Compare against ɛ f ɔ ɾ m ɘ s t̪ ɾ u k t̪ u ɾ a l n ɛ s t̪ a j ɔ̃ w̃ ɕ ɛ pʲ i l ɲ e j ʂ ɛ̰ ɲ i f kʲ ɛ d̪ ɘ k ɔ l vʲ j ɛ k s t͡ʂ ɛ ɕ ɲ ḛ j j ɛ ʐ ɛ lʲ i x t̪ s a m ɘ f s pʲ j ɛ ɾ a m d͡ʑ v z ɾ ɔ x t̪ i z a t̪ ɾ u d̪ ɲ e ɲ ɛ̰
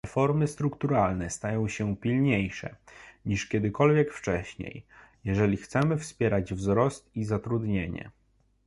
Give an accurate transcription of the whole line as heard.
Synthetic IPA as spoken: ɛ f ɔ ɾ m ɘ s t̪ ɾ u k t̪ u ɾ a l n ɛ s t̪ a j ɔ̃ w̃ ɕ ɛ pʲ i l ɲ e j ʂ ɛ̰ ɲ i ʂ kʲ ɛ d̪ ɘ k ɔ l vʲ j ɛ k f t͡ʂ ɛ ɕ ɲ ḛ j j ɛ ʐ ɛ lʲ i x t̪ s ɛ m ɘ f s pʲ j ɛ ɾ a d͡ʑ v z ɾ ɔ s t̪ i z a t̪ ɾ u d̪ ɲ e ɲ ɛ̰